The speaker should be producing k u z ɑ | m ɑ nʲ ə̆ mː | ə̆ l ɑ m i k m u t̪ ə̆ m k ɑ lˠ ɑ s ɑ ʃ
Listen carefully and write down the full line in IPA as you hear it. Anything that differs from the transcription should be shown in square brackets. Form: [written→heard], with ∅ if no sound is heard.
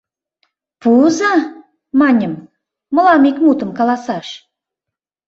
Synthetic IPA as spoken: [k→p] u z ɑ | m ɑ nʲ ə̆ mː | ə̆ l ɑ m i k m u t̪ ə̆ m k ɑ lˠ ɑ s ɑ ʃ